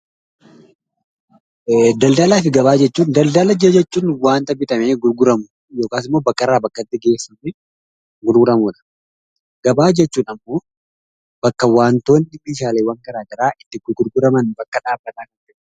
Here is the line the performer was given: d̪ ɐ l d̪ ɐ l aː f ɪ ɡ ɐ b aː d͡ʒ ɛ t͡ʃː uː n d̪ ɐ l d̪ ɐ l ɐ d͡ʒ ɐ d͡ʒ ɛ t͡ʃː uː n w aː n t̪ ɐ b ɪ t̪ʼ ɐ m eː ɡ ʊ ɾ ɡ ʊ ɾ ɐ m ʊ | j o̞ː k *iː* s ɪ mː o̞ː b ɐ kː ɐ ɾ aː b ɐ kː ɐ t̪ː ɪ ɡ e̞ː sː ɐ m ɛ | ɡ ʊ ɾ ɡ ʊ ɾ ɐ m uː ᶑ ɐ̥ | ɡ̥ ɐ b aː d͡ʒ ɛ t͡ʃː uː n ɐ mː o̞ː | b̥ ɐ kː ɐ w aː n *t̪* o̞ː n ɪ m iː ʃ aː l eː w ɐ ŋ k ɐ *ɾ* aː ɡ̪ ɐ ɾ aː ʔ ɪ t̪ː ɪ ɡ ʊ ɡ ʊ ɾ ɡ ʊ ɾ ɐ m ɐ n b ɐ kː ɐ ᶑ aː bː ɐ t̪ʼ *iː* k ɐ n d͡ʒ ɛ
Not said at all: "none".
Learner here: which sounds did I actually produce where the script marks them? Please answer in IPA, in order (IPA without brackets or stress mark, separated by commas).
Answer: aː, t̪, ɾ, aː